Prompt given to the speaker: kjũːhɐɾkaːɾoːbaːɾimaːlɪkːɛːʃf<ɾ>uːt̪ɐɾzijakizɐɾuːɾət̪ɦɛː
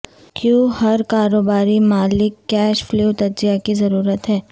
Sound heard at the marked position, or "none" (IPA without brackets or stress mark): l